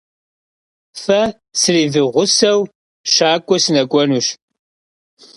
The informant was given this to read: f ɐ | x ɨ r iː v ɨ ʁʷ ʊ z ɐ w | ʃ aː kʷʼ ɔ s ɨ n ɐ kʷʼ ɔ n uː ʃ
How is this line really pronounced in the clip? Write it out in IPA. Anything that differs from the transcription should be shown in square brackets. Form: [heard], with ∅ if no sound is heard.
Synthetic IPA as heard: f ɐ | [s] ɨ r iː v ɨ ʁʷ ʊ [s] ɐ w | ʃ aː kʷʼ ɔ s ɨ n ɐ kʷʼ ɔ n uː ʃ